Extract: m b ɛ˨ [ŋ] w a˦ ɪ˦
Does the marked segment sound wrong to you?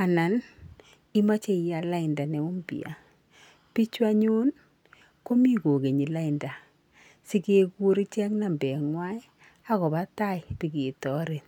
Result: no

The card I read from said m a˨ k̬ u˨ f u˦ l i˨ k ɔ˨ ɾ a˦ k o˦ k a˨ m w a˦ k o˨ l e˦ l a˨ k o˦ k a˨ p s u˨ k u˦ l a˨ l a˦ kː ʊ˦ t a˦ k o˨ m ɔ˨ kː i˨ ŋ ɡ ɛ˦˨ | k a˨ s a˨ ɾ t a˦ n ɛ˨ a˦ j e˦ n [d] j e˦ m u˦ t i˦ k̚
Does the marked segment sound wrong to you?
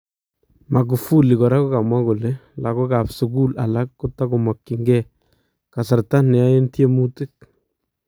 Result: yes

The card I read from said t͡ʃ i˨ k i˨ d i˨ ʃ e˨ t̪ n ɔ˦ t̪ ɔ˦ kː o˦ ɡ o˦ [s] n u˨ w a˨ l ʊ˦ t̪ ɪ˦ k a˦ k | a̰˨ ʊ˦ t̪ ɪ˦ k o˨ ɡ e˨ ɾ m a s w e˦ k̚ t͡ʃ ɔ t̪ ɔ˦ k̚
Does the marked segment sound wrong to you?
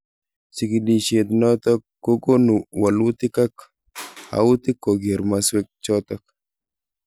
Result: yes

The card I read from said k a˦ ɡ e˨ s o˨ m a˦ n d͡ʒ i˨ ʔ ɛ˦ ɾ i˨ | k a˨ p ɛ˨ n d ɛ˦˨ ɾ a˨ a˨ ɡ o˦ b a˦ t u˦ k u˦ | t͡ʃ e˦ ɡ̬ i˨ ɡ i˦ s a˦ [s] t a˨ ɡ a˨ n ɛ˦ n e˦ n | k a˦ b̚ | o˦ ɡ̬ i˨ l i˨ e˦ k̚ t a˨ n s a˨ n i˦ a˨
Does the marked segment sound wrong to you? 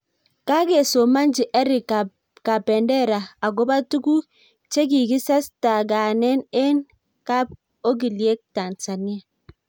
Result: no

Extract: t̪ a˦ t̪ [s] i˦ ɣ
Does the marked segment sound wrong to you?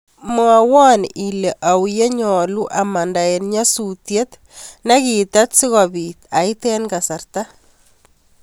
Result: no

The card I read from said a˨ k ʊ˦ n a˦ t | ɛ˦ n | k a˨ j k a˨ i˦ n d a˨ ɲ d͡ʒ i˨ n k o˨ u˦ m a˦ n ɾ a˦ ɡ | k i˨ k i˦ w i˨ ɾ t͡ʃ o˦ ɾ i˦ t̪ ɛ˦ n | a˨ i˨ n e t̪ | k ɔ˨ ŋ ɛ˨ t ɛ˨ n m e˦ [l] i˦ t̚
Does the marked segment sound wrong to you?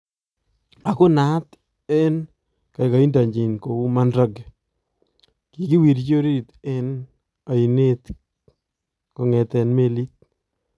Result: no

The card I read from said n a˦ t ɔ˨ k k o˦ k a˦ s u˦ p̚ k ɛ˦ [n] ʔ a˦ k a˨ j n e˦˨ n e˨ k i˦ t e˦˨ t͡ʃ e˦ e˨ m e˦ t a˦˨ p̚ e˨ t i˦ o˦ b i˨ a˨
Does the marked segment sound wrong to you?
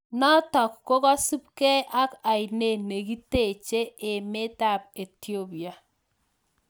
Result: yes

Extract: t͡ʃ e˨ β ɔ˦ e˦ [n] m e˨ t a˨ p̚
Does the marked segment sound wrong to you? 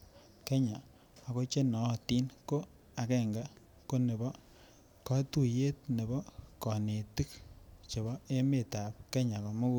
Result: yes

